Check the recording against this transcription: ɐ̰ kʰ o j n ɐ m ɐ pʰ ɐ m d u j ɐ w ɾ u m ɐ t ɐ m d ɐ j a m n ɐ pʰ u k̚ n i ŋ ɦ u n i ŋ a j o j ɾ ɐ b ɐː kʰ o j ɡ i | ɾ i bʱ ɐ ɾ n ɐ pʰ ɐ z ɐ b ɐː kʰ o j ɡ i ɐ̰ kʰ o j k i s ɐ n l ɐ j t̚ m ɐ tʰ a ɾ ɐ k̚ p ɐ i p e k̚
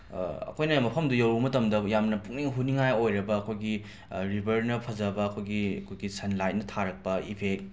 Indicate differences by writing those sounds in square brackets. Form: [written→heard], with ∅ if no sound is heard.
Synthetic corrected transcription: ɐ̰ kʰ o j n ɐ m ɐ pʰ ɐ m d u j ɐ w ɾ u m ɐ t ɐ m d ɐ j a m n ɐ [pʰ→p] u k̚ n i ŋ ɦ u n i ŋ a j o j ɾ ɐ b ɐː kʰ o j ɡ i | ɾ i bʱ ɐ ɾ n ɐ pʰ ɐ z ɐ b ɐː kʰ o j ɡ i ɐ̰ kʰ o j [k→ɡ] i s ɐ n l [ɐ→a] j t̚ [m→n] ɐ tʰ a ɾ ɐ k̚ p ɐ i [p→pʰ] e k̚